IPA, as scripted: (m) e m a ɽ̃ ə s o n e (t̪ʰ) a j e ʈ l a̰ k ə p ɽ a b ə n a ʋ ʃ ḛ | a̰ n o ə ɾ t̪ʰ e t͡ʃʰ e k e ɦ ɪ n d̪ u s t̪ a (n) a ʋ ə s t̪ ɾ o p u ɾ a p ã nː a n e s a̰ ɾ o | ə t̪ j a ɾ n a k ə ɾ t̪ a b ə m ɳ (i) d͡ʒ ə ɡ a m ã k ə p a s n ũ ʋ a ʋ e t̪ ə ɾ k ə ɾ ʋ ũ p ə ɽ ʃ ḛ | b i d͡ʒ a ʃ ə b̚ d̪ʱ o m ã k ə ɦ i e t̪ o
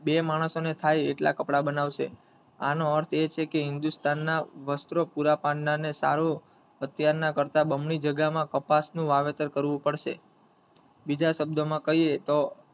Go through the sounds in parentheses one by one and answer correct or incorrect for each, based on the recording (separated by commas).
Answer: incorrect, correct, incorrect, correct